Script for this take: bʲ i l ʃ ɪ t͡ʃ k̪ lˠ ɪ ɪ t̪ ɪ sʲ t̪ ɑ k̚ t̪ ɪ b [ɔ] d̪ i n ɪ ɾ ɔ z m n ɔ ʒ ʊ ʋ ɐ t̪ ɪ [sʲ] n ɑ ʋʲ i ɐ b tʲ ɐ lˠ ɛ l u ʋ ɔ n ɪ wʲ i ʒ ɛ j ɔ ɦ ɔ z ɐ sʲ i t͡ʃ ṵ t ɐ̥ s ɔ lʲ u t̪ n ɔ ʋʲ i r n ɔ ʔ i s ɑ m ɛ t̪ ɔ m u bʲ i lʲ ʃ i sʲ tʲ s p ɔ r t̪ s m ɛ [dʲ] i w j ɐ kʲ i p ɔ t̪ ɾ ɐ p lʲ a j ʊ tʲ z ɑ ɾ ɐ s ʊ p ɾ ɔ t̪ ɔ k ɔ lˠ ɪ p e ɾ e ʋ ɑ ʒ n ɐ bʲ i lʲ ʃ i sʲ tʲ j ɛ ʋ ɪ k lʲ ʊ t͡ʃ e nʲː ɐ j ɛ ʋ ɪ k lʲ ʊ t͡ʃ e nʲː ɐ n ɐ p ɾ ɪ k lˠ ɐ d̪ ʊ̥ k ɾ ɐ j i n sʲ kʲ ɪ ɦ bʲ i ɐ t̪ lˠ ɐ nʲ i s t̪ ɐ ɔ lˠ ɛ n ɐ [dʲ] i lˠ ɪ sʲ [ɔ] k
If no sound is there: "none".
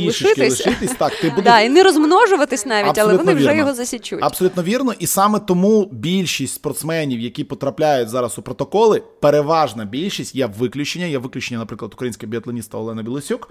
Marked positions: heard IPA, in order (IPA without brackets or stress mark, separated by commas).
u, sʲ, nʲ, bʲ, u